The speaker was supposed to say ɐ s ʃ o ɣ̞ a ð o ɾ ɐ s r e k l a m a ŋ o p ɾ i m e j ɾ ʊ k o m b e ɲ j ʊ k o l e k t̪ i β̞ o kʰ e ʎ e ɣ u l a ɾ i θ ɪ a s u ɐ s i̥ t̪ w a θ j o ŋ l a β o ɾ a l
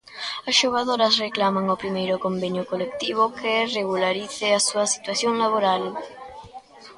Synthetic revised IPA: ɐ s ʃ o ɣ̞ a ð o ɾ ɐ s r e k l a m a ŋ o p ɾ i m e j ɾ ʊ k o m b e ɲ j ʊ k o l e k t̪ i β̞ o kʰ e r e ɣ u l a ɾ i θ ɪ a s u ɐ s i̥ t̪ w a θ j o ŋ l a β o ɾ a l